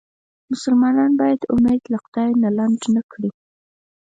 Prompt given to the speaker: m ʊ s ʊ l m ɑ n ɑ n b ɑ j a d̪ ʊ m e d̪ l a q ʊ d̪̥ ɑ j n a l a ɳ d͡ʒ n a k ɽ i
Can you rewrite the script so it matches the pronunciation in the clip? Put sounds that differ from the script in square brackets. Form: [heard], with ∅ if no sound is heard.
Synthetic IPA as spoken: m ʊ s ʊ l m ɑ n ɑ n b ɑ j a d̪ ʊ m e d̪ l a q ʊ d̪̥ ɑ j n a l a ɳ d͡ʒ n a k ɽ i